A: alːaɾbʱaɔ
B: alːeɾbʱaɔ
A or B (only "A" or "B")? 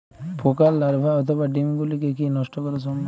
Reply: A